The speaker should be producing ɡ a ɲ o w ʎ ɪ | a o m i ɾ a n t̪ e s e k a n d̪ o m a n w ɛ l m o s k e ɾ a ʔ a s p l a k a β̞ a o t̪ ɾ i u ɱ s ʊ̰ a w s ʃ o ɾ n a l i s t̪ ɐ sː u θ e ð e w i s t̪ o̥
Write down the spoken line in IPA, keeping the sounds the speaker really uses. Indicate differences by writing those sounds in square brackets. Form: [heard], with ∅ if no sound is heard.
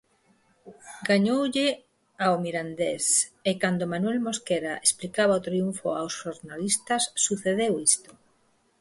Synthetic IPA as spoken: ɡ a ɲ o w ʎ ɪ | a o m i ɾ a n [d̪] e s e k a n d̪ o m a n w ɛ l m o s k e ɾ a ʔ [e] s p l [i] k a β̞ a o t̪ ɾ i u ɱ [f] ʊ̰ a w s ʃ o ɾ n a l i s t̪ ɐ sː u θ e ð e w i s t̪ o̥